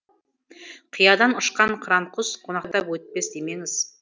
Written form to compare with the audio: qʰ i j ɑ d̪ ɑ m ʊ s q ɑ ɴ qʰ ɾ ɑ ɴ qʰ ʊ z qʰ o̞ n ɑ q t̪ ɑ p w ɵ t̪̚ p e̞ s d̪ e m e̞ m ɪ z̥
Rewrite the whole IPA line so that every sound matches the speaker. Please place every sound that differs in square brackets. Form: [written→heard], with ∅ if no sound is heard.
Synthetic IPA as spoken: qʰ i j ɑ d̪ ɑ [m→n] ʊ [s→ʃ] q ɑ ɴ qʰ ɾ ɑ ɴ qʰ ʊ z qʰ o̞ n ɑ q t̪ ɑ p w ɵ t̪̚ p e̞ s d̪ e m e̞ [m→ŋ] ɪ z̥